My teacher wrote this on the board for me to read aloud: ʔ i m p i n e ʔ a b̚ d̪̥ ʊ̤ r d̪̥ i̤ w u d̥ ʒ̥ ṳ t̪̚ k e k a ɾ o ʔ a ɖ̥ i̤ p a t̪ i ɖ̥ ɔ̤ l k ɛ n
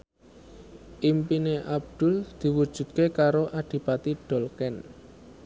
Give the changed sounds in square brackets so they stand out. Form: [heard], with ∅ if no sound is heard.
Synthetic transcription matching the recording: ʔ i m p i n e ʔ a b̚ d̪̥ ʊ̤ [l] d̪̥ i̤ w u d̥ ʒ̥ ṳ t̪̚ k e k a ɾ o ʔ a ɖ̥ i̤ p a t̪ i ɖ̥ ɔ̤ l k ɛ n